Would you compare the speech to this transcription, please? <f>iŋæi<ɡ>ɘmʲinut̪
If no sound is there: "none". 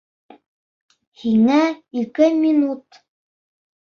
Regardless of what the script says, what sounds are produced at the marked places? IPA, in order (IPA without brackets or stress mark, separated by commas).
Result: h, k